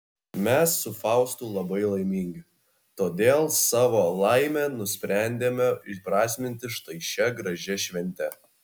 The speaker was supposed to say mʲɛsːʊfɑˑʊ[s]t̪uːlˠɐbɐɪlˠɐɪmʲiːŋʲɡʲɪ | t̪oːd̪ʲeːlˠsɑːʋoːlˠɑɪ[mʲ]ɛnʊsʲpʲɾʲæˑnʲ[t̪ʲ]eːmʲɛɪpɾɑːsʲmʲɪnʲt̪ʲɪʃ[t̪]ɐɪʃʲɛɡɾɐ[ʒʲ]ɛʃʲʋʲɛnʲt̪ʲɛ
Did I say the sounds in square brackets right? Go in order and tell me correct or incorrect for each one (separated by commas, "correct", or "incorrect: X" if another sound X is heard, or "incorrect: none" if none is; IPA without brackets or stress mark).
correct, correct, incorrect: d̪ʲ, correct, correct